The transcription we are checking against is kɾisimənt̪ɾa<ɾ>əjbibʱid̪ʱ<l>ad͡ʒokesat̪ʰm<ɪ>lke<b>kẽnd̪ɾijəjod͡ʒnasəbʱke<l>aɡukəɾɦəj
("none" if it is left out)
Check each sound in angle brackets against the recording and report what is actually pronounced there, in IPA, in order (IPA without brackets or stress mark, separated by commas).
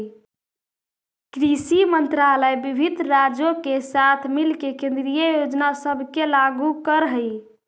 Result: l, ɾ, i, none, l